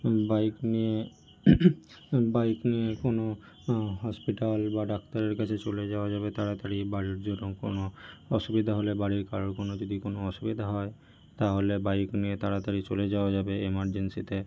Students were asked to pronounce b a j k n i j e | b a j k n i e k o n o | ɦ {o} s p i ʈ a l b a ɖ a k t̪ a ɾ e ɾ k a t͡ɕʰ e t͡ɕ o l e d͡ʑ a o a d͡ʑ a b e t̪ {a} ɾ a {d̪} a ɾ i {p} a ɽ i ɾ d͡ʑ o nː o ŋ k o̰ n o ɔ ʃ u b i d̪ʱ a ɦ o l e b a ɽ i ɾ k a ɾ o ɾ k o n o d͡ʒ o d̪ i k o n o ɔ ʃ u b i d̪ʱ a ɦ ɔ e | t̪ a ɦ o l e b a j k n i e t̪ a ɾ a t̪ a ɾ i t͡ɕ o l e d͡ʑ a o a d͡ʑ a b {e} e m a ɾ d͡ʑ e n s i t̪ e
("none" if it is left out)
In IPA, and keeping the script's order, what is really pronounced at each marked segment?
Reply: ɔ, a, t̪, b, e

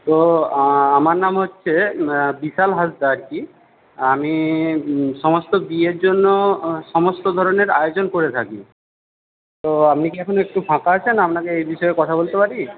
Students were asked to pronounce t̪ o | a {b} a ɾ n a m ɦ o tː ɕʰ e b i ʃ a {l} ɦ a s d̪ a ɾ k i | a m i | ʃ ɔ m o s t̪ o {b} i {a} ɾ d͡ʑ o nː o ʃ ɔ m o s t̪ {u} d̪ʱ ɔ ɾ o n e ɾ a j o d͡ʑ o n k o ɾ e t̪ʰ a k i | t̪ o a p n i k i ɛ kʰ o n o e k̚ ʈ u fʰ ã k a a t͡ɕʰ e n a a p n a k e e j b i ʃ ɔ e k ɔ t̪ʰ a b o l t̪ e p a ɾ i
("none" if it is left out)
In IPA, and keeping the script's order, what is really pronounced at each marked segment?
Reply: m, l, b, e, o

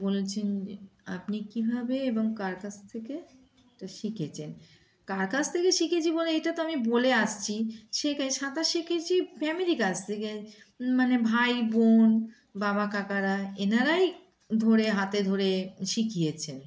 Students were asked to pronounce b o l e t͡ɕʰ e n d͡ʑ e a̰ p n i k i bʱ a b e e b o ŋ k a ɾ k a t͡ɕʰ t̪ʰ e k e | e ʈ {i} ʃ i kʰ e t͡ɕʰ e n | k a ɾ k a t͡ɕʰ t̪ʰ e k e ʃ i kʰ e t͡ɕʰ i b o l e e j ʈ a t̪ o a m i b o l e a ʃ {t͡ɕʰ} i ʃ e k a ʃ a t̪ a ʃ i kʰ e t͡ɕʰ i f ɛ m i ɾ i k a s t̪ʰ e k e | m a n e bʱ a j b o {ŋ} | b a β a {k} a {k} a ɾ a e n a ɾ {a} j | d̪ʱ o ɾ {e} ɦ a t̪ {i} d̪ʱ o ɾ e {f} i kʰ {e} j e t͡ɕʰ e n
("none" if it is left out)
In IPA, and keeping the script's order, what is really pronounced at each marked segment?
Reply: a, t͡ɕʰ, n, k, k, a, e, e, ʃ, i

